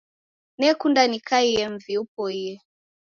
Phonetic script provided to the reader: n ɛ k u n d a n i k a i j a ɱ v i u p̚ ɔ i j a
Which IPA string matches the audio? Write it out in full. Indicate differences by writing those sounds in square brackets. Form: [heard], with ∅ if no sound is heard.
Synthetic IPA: n ɛ k u n d a n i k a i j [ɛ] ɱ v i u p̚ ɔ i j [ɛ]